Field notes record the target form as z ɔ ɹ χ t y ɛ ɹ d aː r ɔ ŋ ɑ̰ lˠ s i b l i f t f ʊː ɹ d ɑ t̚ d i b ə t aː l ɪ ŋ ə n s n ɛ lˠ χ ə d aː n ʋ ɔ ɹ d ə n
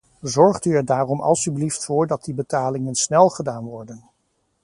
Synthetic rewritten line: z ɔ ɹ χ t y ɛ ɹ d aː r ɔ m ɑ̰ lˠ s y b l i f t f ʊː ɹ d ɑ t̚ d i b ə t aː l ɪ ŋ ə n s n ɛ lˠ χ ə d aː n ʋ ɔ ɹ d ə n